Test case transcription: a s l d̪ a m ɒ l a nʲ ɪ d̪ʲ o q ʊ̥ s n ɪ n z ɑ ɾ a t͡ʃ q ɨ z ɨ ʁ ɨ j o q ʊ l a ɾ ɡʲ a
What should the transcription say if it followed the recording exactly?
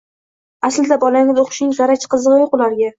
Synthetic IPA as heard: a s l d̪ a b ɒ l a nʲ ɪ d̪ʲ o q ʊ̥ ʃ n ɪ ŋ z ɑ ɾ a t͡ʃ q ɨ z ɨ ʁ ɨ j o q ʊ l a ɾ ɡʲ a